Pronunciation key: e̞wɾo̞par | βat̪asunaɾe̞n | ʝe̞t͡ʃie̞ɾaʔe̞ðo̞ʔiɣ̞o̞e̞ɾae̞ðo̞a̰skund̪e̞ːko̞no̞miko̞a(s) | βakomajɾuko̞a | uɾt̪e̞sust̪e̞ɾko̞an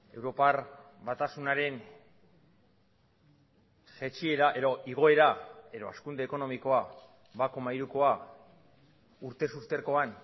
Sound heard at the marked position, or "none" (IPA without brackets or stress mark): none